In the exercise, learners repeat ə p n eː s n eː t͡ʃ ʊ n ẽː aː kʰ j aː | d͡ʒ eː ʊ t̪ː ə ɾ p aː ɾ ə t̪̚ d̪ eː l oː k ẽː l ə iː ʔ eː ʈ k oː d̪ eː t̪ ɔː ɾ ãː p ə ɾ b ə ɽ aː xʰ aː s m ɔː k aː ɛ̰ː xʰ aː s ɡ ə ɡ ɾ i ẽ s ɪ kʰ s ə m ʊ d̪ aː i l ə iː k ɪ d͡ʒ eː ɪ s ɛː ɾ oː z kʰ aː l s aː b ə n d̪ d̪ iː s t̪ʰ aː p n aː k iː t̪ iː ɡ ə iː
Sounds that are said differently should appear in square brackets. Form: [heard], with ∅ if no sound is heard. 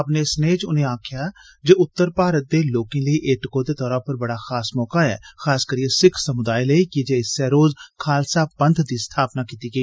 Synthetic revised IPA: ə p n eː s n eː t͡ʃ ʊ n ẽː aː kʰ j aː | d͡ʒ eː ʊ t̪ː ə ɾ p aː ɾ ə t̪̚ d̪ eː l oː k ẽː l ə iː ʔ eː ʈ k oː d̪ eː t̪ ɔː ɾ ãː p ə ɾ b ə ɽ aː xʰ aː s m ɔː k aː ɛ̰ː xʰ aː s [k] ə [∅] ɾ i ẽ s ɪ kʰ s ə m ʊ d̪ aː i l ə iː k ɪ d͡ʒ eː ɪ s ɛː ɾ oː z kʰ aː l s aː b ə n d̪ d̪ iː s t̪ʰ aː p n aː k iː t̪ iː ɡ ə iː